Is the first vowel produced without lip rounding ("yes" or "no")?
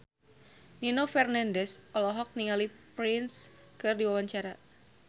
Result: yes